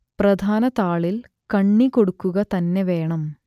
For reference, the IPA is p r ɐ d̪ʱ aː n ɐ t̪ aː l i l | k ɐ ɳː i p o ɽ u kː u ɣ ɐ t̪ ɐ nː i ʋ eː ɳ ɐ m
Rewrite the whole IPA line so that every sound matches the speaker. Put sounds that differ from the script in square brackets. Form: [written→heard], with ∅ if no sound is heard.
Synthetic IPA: p r ɐ d̪ʱ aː n ɐ t̪ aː [l→ɭ] i l | k ɐ ɳː i [p→k] o ɽ u kː u ɣ ɐ t̪ ɐ nː [i→e] ʋ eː ɳ ɐ m